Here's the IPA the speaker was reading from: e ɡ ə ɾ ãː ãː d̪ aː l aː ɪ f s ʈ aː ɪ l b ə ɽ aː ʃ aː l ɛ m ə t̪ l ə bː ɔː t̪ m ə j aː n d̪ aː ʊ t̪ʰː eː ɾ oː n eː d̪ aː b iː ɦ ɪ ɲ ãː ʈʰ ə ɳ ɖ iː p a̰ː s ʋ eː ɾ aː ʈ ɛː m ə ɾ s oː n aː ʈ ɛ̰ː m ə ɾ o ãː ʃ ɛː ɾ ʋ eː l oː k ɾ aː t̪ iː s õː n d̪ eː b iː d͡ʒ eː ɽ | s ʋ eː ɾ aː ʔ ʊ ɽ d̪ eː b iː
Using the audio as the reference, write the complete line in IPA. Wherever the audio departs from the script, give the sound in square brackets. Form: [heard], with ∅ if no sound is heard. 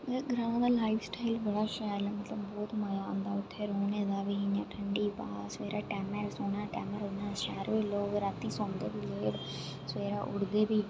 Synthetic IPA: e ɡ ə ɾ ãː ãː d̪ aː l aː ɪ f s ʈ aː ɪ l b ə ɽ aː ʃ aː l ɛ m ə t̪ l ə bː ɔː t̪ m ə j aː n d̪ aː ʊ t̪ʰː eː ɾ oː n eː d̪ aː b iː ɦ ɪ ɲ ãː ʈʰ ə ɳ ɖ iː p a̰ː s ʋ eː ɾ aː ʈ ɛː m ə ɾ s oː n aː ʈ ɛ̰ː m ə ɾ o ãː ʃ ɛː ɾ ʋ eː l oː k ɾ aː t̪ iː s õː n d̪ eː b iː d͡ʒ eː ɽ | s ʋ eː ɾ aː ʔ ʊ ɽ d̪ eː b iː

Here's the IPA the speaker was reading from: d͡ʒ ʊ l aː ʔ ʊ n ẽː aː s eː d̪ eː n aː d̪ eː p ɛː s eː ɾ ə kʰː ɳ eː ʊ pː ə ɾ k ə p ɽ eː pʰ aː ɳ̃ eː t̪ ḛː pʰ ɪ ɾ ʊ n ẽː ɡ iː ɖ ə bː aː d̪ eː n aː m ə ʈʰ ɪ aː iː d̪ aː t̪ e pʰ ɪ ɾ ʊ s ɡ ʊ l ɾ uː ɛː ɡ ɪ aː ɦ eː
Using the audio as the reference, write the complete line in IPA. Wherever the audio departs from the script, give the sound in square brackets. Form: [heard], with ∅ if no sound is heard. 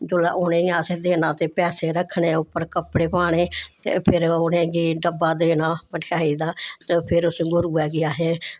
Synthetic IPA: d͡ʒ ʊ l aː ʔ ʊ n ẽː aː s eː d̪ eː n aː [t̪] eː p ɛː s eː ɾ ə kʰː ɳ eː ʊ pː ə ɾ k ə p ɽ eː [p] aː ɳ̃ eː t̪ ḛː pʰ ɪ ɾ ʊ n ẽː ɡ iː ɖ ə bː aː d̪ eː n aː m ə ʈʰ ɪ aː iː d̪ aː t̪ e pʰ ɪ ɾ ʊ s ɡ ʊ [∅] ɾ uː ɛː ɡ ɪ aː ɦ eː

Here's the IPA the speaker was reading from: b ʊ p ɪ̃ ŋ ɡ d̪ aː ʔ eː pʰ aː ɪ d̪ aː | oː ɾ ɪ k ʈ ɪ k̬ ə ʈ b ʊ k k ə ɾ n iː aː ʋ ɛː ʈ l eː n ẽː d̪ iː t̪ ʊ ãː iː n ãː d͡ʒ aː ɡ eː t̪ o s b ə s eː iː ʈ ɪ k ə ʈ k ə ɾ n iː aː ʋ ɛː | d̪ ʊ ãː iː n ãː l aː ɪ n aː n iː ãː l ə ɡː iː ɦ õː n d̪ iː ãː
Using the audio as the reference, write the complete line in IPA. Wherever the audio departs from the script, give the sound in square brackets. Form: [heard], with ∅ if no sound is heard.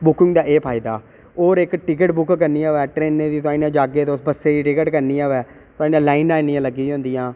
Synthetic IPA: b ʊ [k] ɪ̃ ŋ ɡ d̪ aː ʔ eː pʰ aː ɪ d̪ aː | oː ɾ ɪ k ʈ ɪ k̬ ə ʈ b ʊ k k ə ɾ n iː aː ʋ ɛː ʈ [ɾ] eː n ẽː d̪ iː t̪ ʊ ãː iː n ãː d͡ʒ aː ɡ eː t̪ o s b ə s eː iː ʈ ɪ k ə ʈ k ə ɾ n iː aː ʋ ɛː | [t̪] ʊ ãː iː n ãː l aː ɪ n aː n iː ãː l ə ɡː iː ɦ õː n d̪ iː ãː

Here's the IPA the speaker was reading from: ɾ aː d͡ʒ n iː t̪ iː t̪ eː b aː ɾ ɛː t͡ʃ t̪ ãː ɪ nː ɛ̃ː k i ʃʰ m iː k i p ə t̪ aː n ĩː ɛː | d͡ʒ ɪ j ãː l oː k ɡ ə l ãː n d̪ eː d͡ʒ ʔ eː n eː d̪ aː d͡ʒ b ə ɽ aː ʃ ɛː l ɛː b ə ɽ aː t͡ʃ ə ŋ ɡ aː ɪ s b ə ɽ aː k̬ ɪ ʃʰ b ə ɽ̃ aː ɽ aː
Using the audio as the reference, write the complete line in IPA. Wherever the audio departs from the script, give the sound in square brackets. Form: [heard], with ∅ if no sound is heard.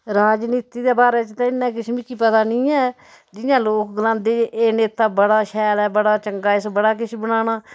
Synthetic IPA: ɾ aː d͡ʒ n iː t̪ iː [d̪] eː b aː ɾ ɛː t͡ʃ t̪ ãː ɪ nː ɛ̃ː k [ɪ] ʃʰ m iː k i p ə t̪ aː n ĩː ɛː | d͡ʒ ɪ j ãː l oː k ɡ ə l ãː n d̪ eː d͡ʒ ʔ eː n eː [t̪] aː [∅] b ə ɽ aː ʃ ɛː l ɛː b ə ɽ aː t͡ʃ ə ŋ ɡ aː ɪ s b ə ɽ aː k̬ ɪ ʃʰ b ə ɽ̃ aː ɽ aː

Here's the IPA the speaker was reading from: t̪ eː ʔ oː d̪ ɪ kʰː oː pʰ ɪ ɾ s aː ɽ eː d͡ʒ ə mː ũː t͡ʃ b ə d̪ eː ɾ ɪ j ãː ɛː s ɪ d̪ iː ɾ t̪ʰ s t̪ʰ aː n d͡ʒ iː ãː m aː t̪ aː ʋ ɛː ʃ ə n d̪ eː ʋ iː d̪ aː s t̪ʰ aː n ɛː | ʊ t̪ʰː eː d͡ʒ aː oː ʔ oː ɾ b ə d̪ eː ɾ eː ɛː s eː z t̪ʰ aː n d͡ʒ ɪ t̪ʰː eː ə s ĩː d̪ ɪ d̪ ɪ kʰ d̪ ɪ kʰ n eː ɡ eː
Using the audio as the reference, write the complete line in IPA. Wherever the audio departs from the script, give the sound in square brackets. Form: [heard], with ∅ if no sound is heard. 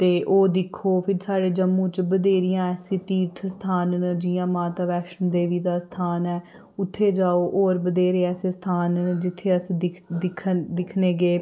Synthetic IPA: t̪ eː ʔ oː d̪ ɪ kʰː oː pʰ ɪ ɾ s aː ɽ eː d͡ʒ ə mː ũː t͡ʃ b ə d̪ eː ɾ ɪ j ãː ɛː s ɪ [t̪] iː ɾ t̪ʰ s t̪ʰ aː n d͡ʒ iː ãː m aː t̪ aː ʋ ɛː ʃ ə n d̪ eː ʋ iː d̪ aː s t̪ʰ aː n ɛː | ʊ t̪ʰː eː d͡ʒ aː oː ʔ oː ɾ b ə d̪ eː ɾ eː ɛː s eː [s] t̪ʰ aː n d͡ʒ ɪ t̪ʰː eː ə s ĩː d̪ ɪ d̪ ɪ kʰ d̪ ɪ kʰ n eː ɡ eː

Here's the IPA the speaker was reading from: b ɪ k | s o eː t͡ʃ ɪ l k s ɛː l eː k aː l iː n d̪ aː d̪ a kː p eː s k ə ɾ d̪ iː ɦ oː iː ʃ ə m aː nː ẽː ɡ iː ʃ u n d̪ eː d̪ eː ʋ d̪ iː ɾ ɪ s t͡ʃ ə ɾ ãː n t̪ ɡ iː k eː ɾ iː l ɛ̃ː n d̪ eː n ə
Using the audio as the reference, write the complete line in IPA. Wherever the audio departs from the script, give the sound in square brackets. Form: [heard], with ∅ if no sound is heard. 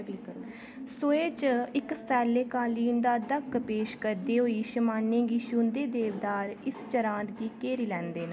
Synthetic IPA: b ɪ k | s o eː t͡ʃ ɪ [∅] k s ɛː l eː k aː l iː n d̪ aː d̪ [ə] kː p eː [ʃ] k ə ɾ d̪ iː ɦ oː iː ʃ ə m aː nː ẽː ɡ iː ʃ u n d̪ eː d̪ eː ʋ d̪ [aː] ɾ ɪ s t͡ʃ ə ɾ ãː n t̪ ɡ iː k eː ɾ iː l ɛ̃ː n d̪ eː n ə

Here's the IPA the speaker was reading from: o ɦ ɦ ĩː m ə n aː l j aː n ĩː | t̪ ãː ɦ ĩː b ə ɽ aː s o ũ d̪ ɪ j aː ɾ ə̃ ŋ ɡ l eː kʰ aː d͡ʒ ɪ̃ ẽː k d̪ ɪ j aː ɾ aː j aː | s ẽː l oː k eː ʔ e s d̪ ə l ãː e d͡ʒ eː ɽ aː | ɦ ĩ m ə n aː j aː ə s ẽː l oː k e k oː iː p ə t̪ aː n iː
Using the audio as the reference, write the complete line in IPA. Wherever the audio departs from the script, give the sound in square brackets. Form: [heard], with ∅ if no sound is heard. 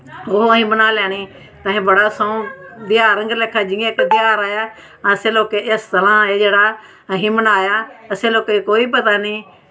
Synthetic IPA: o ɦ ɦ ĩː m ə n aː l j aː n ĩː | t̪ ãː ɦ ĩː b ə ɽ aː s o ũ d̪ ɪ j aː ɾ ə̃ ŋ ɡ l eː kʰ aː d͡ʒ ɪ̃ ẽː k d̪ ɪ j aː ɾ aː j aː | s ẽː l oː k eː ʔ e s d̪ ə l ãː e d͡ʒ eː ɽ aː | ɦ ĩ m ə n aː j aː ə s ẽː l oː k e k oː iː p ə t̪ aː n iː

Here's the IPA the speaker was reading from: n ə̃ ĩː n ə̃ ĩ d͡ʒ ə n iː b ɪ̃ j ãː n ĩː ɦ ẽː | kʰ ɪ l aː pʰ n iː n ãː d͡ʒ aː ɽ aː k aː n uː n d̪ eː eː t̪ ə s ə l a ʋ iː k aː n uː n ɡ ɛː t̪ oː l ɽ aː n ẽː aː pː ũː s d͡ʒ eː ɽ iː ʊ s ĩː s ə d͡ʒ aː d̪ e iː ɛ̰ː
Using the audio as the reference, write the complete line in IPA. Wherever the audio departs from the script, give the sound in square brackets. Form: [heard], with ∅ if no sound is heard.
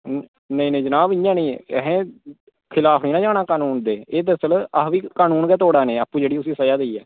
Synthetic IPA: n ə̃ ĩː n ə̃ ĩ d͡ʒ ə n [aː] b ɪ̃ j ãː n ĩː ɦ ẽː | kʰ ɪ l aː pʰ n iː n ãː d͡ʒ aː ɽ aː k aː n uː n d̪ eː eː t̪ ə s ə l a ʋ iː k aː n uː n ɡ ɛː t̪ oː [∅] ɽ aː n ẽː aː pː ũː [∅] d͡ʒ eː ɽ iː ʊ s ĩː s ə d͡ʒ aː d̪ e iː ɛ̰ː

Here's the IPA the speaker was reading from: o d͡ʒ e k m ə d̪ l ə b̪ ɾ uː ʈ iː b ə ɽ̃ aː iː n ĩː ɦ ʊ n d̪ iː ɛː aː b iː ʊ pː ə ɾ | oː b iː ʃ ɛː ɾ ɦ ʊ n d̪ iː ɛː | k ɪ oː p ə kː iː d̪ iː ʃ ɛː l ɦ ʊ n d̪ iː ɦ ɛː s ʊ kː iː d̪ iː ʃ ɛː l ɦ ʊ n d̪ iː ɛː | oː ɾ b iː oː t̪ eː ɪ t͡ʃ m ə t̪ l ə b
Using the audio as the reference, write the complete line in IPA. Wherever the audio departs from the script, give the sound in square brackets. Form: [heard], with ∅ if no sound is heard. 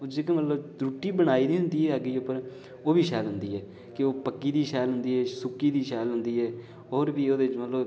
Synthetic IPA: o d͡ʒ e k m ə [t̪] l ə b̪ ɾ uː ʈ iː b ə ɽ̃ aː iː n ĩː ɦ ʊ n d̪ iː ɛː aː [ɡ] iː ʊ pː ə ɾ | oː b iː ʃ ɛː [l] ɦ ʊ n d̪ iː ɛː | k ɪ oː p ə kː iː d̪ iː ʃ ɛː l ɦ ʊ n d̪ iː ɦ ɛː s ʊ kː iː d̪ iː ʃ ɛː l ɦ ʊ n d̪ iː ɛː | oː ɾ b iː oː [d̪] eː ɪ t͡ʃ m ə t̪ l ə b

